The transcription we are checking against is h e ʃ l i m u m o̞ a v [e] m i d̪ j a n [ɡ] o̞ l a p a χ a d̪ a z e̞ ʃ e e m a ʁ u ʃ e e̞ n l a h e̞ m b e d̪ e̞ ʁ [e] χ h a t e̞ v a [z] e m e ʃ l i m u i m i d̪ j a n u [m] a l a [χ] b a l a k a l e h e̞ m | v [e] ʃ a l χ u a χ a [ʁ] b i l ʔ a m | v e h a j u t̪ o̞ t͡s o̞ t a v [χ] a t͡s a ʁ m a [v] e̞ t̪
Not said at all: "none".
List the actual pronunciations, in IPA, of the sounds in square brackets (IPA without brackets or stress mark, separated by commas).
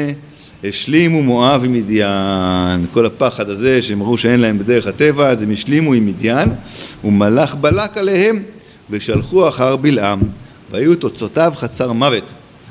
i, k, e, z, m, χ, e, ʁ, χ, v